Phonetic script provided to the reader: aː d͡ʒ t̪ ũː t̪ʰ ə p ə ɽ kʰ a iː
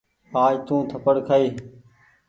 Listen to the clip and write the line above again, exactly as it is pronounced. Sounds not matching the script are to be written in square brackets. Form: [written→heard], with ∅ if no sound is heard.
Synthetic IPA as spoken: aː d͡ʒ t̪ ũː t̪ʰ ə p ə ɽ kʰ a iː

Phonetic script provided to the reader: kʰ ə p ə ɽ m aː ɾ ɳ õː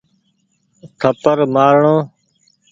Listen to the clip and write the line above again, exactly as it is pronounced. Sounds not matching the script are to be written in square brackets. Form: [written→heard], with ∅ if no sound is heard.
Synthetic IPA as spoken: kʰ ə p ə [ɽ→ɾ] m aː ɾ ɳ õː

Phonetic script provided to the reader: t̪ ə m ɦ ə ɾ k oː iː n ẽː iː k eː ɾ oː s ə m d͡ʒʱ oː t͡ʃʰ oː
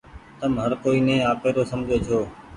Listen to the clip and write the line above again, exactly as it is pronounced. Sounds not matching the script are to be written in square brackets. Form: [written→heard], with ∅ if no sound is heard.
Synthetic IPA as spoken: t̪ ə m ɦ ə ɾ k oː iː n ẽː [iː→aː] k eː ɾ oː s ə m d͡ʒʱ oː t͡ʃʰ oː

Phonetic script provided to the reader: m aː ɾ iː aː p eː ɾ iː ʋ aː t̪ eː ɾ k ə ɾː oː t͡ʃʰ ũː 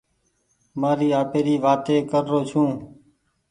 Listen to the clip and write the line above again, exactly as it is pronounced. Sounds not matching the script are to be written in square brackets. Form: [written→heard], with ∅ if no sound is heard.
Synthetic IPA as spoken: m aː ɾ iː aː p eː ɾ iː ʋ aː t̪ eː [ɾ→∅] k ə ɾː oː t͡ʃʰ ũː

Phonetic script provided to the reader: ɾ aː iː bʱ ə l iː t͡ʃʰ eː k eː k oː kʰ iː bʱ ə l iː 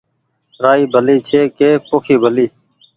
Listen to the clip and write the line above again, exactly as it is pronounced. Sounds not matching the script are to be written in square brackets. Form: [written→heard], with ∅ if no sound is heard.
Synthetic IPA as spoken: ɾ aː iː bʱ ə l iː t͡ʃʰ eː k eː [k→p] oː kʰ iː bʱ ə l iː

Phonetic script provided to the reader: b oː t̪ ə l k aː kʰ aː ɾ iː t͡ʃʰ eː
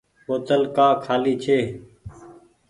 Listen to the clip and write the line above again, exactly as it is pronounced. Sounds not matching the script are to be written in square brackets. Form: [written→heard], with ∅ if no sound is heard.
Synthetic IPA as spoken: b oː t̪ ə l k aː kʰ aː [ɾ→l] iː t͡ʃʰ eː

